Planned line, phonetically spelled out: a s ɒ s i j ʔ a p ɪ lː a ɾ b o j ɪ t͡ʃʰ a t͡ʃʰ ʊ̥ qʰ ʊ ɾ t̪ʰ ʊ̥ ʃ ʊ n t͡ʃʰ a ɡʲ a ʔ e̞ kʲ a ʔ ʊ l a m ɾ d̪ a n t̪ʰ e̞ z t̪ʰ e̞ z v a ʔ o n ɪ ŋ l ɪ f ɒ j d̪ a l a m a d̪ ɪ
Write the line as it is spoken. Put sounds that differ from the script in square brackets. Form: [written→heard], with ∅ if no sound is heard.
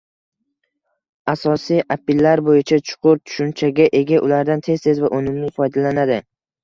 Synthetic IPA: a s ɒ s i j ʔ a p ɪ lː a ɾ b o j ɪ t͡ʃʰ a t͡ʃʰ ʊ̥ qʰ ʊ ɾ t̪ʰ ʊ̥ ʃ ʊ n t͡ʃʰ a ɡʲ a ʔ e̞ [kʲ→ɡʲ] a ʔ ʊ l a [m→∅] ɾ d̪ a n t̪ʰ e̞ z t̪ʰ e̞ z v a ʔ o n ɪ [ŋ→m] l ɪ f ɒ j d̪ a l a [m→n] a d̪ ɪ